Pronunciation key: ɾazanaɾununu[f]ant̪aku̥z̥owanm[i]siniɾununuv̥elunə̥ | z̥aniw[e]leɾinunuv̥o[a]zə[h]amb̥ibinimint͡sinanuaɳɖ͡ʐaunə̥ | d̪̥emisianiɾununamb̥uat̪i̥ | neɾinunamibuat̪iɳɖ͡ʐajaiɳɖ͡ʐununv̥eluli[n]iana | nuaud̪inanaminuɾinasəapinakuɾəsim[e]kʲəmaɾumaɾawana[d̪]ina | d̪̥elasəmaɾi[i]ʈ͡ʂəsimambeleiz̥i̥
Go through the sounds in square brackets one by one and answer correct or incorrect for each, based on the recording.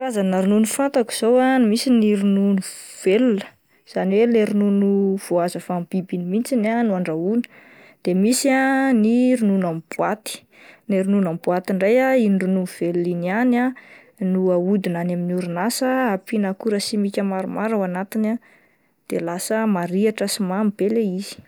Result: correct, correct, correct, correct, incorrect: f, correct, incorrect: i, incorrect: t̪, incorrect: a

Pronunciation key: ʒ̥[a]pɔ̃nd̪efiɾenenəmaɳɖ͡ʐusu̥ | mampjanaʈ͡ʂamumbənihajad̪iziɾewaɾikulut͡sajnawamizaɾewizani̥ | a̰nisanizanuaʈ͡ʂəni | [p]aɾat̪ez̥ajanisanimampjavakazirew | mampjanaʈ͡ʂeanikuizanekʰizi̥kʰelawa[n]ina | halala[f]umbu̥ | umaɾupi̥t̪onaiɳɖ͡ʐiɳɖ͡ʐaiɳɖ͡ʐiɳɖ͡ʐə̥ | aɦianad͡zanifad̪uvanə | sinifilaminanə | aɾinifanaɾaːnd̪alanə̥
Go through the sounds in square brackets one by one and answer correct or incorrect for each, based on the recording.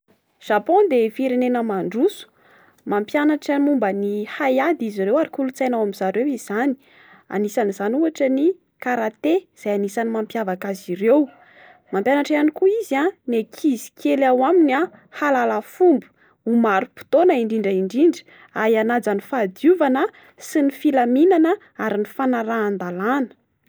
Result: correct, incorrect: k, incorrect: m, correct

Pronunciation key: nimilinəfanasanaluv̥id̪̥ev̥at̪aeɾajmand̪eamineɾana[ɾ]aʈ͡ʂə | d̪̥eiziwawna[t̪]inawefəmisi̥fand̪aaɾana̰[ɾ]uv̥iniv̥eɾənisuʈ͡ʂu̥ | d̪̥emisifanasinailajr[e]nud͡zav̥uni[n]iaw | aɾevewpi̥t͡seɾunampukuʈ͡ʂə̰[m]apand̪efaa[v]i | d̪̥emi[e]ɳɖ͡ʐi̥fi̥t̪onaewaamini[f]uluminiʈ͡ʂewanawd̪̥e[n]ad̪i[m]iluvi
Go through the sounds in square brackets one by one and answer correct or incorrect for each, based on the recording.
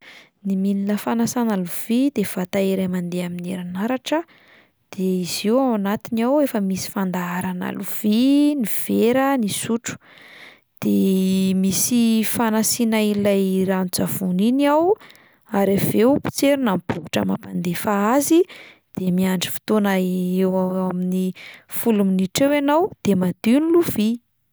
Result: correct, correct, incorrect: l, incorrect: a, correct, correct, incorrect: z, incorrect: a, correct, incorrect: m, incorrect: n

